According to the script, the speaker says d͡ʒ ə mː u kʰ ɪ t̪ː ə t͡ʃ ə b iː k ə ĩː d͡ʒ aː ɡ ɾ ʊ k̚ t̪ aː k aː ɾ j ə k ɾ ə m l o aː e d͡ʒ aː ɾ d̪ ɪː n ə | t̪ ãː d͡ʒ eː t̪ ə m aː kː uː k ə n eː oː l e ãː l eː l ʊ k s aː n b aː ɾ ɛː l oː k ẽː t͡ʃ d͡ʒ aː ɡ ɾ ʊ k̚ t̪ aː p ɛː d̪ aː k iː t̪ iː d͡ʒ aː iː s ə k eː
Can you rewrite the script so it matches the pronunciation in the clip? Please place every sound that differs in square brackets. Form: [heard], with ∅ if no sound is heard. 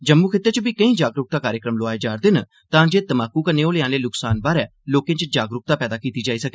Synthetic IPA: d͡ʒ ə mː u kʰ ɪ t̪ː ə t͡ʃ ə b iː k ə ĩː d͡ʒ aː ɡ ɾ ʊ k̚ t̪ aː k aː ɾ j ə k ɾ ə m l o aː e d͡ʒ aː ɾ d̪ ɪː n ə | t̪ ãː d͡ʒ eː t̪ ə m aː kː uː k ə n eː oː l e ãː l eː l ʊ k s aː n b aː ɾ ɛː l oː k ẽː t͡ʃ d͡ʒ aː ɡ ɾ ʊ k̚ t̪ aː p ɛː d̪ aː k iː t̪ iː d͡ʒ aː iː s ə k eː